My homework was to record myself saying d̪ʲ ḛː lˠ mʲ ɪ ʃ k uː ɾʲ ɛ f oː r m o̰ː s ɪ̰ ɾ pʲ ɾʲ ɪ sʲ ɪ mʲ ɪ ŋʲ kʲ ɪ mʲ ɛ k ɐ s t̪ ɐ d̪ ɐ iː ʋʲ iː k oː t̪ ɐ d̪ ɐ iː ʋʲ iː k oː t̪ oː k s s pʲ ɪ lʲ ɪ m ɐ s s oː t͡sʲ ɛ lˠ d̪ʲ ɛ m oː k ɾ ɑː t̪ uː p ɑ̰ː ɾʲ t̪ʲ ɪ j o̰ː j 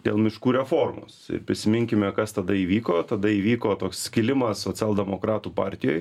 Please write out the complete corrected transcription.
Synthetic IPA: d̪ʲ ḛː lˠ mʲ ɪ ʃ k uː ɾʲ ɛ f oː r m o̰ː s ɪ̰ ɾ pʲ ɾʲ ɪ sʲ ɪ mʲ ɪ ŋʲ kʲ ɪ mʲ ɛ k ɐ s t̪ ɐ d̪ ɐ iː ʋʲ iː k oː t̪ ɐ d̪ ɐ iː ʋʲ iː k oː t̪ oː k s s kʲ ɪ lʲ ɪ m ɐ s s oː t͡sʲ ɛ lˠ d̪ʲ ɛ m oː k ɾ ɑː t̪ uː p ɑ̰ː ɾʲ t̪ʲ ɪ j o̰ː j